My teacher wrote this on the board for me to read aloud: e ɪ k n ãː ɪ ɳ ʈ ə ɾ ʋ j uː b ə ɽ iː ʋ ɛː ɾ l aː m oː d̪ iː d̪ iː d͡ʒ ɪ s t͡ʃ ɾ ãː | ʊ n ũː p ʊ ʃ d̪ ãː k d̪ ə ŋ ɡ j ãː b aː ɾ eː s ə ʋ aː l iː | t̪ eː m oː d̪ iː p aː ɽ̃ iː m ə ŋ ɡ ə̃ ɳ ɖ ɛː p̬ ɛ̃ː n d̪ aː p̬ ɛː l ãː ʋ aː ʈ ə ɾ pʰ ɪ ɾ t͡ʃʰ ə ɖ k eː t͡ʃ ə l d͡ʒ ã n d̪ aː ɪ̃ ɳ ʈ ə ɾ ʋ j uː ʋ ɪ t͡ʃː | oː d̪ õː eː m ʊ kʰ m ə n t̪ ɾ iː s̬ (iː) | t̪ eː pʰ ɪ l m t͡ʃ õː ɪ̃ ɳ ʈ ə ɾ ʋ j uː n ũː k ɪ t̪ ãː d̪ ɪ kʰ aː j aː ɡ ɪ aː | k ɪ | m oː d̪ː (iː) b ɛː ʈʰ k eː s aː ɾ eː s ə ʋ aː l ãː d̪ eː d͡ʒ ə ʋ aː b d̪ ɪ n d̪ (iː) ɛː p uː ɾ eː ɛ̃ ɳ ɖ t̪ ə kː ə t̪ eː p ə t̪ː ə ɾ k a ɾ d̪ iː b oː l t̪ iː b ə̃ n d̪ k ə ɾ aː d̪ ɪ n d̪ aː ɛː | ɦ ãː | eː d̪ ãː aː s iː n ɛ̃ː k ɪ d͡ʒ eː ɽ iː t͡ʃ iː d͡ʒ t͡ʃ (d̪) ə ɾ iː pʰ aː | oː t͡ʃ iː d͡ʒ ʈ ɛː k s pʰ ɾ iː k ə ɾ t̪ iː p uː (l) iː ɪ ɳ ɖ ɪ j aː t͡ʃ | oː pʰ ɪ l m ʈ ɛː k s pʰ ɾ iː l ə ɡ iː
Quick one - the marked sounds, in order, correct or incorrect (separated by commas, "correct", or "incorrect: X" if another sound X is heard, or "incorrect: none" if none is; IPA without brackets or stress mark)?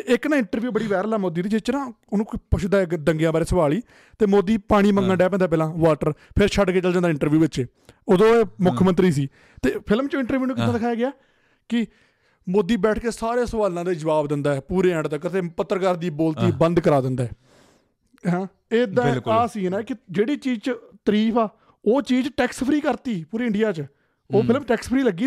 correct, correct, incorrect: aː, incorrect: t̪, incorrect: ɾ